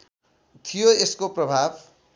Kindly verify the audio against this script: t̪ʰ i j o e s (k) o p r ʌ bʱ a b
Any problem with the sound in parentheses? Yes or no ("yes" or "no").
no